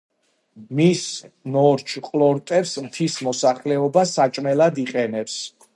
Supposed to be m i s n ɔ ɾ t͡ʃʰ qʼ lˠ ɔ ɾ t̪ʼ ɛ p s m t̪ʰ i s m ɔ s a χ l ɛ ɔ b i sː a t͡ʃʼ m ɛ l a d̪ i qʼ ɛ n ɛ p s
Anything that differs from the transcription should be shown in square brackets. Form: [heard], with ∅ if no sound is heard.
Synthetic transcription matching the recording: m i s n ɔ ɾ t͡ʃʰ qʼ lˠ ɔ ɾ t̪ʼ ɛ p s m t̪ʰ i s m ɔ s a χ l ɛ ɔ b [a] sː a t͡ʃʼ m ɛ l a d̪ i qʼ ɛ n ɛ p s